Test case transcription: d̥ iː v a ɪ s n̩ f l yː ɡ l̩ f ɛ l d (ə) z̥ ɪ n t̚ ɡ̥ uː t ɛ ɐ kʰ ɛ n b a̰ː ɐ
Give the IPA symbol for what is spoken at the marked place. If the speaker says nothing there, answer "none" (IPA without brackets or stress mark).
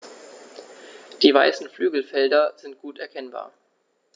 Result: ɐ